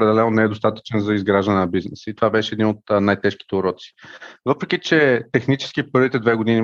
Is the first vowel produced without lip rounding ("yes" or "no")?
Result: yes